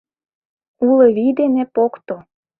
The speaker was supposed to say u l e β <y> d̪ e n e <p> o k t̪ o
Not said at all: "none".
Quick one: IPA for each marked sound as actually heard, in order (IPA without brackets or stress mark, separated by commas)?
i, p